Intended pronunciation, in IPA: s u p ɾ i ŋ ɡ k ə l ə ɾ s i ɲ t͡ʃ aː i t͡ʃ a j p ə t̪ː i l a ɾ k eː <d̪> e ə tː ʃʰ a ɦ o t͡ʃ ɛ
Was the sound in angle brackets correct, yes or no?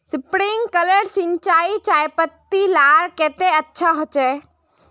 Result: no